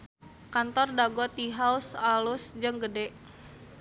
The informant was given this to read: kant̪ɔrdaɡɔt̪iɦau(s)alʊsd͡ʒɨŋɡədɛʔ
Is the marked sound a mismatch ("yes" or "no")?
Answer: no